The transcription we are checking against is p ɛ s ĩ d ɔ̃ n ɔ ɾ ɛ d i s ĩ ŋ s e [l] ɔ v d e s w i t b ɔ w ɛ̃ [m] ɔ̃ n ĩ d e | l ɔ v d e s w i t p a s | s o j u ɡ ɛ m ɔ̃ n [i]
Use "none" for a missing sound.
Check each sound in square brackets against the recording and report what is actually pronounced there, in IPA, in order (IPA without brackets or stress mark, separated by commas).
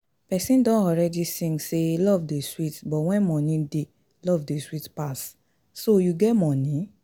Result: l, m, ĩ